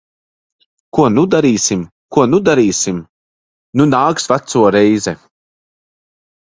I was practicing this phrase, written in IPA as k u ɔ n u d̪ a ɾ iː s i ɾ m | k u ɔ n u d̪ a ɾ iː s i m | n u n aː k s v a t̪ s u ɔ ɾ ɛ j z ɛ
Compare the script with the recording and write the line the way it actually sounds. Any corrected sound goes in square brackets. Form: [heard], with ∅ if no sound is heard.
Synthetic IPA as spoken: k u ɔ n u d̪ a ɾ iː s i [∅] m | k u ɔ n u d̪ a ɾ iː s i m | n u n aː k s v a t̪ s u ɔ ɾ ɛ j z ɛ

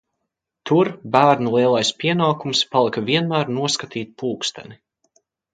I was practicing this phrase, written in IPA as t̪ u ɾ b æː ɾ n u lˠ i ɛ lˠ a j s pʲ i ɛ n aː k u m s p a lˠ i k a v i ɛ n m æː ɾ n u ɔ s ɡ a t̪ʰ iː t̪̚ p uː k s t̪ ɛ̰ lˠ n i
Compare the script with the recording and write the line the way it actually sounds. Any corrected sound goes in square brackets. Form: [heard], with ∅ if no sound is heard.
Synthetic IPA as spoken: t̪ u ɾ b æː ɾ n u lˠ i ɛ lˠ a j s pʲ i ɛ n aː k u m s p a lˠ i k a v i ɛ n m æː ɾ n u ɔ s [k] a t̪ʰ iː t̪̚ p uː k s t̪ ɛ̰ [∅] n i

